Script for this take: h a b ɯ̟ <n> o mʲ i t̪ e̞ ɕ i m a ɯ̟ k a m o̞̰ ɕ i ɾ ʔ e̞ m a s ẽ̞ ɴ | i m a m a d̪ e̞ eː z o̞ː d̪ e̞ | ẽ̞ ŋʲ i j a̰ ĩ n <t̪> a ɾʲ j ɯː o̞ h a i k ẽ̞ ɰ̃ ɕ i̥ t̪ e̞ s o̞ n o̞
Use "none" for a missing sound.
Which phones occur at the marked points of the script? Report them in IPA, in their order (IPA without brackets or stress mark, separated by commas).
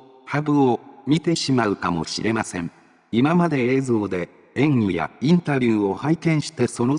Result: none, t̪